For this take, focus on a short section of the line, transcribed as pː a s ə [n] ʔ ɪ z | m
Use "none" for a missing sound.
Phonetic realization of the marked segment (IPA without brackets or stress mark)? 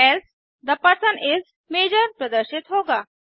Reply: n